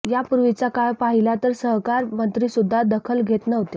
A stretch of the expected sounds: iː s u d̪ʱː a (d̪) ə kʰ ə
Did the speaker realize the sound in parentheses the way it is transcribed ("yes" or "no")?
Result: yes